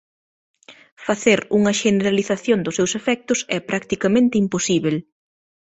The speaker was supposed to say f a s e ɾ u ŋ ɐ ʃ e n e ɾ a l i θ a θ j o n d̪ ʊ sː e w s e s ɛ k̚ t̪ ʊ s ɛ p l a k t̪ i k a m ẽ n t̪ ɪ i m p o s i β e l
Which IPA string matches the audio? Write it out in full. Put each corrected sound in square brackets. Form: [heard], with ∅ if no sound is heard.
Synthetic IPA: f a [θ] e ɾ u ŋ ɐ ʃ e n e ɾ a l i θ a θ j o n d̪ ʊ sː e w s e [f] ɛ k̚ t̪ ʊ s ɛ p [ɾ] a k t̪ i k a m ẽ n t̪ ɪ i m p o s i β e l